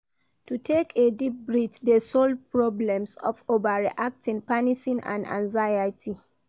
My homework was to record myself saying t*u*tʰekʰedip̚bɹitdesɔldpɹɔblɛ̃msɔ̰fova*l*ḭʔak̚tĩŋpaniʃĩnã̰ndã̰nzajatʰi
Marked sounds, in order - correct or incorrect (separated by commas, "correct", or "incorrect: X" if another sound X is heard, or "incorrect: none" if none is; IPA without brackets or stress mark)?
correct, incorrect: ɹ